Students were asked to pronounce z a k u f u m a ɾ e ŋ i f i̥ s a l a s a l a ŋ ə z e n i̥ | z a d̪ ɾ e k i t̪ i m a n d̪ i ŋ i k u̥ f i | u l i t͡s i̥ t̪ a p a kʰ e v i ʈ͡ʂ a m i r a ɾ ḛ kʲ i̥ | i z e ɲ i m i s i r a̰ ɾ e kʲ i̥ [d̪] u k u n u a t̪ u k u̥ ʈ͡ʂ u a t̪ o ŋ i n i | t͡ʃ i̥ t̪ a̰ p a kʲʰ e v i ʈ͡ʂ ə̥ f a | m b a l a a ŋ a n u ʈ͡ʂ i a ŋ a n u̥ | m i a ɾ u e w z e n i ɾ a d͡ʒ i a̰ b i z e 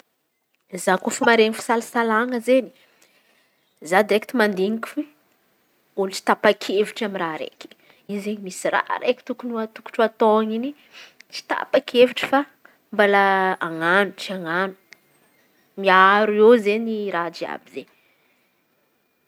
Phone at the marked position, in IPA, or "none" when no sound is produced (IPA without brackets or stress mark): t̪